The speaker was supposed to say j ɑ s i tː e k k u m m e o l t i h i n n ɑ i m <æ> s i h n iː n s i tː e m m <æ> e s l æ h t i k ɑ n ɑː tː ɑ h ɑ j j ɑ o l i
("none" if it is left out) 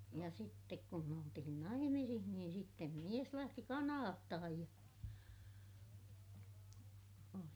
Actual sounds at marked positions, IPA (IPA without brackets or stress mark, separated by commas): i, i